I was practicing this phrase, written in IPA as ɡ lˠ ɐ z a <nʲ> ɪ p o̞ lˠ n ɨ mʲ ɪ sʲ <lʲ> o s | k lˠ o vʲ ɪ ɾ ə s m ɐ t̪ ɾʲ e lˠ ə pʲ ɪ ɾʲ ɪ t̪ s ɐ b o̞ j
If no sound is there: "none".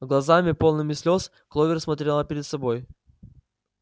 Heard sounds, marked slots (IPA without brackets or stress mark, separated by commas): mʲ, lʲ